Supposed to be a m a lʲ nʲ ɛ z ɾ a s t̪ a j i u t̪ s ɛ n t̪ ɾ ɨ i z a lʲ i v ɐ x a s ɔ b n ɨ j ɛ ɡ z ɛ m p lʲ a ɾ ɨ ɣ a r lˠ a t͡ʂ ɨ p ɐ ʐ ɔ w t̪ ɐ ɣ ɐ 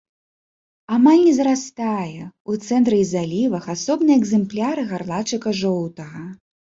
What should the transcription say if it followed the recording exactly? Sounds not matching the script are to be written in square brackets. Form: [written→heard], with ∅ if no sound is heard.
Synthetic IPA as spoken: a m a lʲ nʲ ɛ z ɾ a s t̪ a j [i→ɛ] u t̪ s ɛ n t̪ ɾ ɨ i z a lʲ i v ɐ x a s ɔ b n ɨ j ɛ ɡ z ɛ m p lʲ a ɾ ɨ ɣ a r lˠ a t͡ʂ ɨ [p→k] ɐ ʐ ɔ w t̪ ɐ ɣ ɐ